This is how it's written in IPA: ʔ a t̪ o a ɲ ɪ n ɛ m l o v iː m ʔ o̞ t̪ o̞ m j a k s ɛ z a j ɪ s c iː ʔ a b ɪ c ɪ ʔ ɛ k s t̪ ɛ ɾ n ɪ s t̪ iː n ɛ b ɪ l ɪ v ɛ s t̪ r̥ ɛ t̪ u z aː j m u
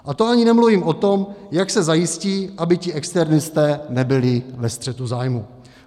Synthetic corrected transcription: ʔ a t̪ o a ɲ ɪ n ɛ m l u v iː m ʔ o̞ t̪ o̞ m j a k s ɛ z a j ɪ s c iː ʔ a b ɪ c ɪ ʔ ɛ k s t̪ ɛ ɾ n ɪ s t̪ ɛː n ɛ b ɪ l ɪ v ɛ s t̪ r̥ ɛ t̪ u z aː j m u